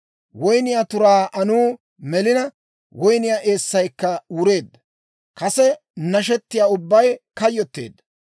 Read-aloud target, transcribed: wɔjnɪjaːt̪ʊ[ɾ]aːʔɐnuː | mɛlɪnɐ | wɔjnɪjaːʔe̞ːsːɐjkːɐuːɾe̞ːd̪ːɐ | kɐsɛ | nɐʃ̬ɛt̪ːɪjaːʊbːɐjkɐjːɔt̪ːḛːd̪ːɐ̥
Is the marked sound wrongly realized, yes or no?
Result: no